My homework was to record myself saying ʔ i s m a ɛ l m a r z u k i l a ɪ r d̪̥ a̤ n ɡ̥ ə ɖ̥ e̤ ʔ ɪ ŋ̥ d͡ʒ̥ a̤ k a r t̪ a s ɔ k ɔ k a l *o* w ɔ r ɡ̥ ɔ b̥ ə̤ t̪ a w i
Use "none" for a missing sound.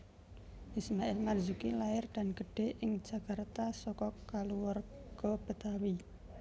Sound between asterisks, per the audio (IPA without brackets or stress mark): u